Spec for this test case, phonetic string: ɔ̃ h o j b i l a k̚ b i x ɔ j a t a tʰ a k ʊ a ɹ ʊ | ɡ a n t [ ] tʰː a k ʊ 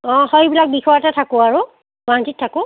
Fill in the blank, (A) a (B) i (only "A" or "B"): B